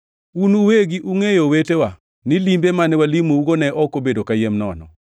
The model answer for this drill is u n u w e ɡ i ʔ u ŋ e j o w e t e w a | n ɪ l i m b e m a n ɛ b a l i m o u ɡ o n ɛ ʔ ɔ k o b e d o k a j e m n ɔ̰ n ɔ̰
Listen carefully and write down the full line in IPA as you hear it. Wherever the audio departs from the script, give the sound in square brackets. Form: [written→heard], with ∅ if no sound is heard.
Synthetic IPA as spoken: u n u w e ɡ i ʔ u ŋ e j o w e t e w a | n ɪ l i m b e m a n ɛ [b→w] a l i m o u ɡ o n ɛ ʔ ɔ k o b e d o k a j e m n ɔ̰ n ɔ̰